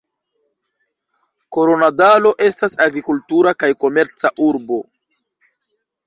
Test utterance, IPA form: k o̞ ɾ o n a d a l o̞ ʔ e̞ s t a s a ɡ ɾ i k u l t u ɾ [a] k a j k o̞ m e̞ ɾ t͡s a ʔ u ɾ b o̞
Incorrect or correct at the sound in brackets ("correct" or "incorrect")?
correct